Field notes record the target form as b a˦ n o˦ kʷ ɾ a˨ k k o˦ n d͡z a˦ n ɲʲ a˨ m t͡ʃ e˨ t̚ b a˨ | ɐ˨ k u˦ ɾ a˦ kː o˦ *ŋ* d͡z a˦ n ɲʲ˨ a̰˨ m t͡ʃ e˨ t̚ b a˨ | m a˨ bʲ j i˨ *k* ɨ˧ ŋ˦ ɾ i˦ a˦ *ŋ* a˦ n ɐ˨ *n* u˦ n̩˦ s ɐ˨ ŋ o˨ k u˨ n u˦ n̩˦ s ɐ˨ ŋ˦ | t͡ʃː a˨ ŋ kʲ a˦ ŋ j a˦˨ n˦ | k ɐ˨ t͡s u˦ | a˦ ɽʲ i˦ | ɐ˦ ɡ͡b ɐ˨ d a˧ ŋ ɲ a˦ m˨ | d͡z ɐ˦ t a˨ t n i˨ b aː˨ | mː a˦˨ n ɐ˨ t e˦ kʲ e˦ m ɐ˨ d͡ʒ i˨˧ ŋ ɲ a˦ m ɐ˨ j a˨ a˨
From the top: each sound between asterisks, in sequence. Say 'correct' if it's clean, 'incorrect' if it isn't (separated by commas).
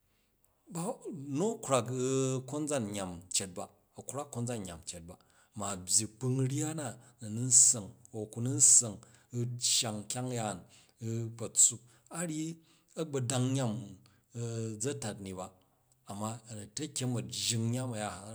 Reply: incorrect, incorrect, incorrect, correct